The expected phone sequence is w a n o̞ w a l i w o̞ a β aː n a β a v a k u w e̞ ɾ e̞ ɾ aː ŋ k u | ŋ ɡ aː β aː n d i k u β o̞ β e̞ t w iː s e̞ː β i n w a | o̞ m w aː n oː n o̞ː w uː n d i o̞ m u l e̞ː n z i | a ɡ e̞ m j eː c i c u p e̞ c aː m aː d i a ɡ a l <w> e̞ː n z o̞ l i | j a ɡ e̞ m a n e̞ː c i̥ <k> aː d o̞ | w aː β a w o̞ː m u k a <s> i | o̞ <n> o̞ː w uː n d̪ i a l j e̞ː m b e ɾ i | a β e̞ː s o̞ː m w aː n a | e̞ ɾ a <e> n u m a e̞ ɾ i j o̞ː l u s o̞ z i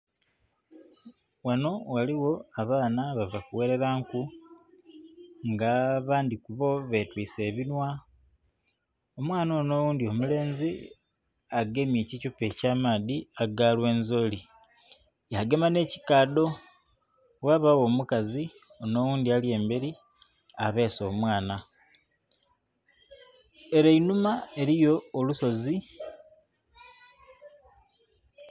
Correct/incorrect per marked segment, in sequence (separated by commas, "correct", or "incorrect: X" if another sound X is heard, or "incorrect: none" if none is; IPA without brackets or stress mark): correct, correct, incorrect: z, correct, incorrect: i